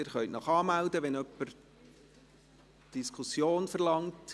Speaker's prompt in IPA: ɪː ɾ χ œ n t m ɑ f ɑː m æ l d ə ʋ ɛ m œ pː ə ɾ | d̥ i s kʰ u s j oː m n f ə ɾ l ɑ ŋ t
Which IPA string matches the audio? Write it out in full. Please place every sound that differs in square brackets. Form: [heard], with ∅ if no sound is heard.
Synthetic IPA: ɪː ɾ χ œ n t [n] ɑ [χ] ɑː m æ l d ə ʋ ɛ [n] œ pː ə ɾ | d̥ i s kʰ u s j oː [∅] n f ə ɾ l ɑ ŋ t